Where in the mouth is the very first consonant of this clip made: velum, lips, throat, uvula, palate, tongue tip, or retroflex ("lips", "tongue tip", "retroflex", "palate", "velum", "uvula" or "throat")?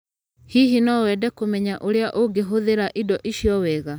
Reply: throat